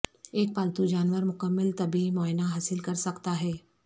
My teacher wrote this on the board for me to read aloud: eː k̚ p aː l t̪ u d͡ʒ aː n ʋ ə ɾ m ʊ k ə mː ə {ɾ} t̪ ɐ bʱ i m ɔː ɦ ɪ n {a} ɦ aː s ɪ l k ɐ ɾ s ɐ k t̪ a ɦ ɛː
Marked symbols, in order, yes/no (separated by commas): no, yes